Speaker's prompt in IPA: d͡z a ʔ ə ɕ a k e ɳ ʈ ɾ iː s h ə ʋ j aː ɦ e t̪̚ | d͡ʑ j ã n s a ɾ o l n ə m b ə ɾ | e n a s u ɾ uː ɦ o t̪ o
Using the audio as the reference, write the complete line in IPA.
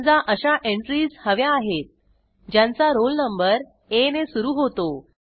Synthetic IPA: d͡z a ʔ ə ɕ a ʔ e ɳ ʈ ɾ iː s h ə ʋ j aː ɦ e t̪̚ | d͡ʑ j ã n t͡s a ɾ o l n ə m b ə ɾ | e n e s u ɾ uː ɦ o t̪ o